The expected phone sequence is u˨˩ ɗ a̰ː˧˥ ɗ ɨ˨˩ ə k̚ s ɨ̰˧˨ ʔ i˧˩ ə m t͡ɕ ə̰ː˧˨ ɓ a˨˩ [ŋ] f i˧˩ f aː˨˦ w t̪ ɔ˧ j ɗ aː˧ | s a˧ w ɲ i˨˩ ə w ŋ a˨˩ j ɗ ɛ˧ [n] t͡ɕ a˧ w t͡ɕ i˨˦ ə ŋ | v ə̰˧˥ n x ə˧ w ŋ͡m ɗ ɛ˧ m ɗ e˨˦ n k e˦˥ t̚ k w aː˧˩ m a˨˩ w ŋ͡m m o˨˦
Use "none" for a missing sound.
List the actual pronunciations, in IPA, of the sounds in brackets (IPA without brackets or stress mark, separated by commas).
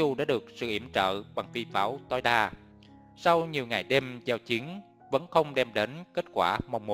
ŋ, m